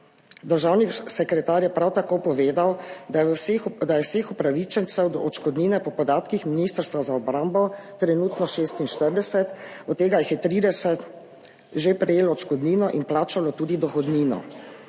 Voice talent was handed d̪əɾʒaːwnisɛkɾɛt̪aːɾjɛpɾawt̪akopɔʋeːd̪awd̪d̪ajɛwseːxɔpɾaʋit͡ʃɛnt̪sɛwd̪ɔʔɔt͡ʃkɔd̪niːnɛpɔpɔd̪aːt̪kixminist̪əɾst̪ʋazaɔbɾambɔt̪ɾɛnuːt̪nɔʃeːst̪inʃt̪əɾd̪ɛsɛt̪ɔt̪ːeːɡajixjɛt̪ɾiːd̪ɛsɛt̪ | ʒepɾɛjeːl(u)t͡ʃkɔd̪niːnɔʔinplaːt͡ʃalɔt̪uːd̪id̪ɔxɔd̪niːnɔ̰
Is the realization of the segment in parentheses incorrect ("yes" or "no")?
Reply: yes